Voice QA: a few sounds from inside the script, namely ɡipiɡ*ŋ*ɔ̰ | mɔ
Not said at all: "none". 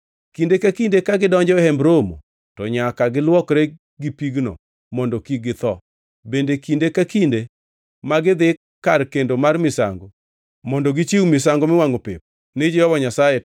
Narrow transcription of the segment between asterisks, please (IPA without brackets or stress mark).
n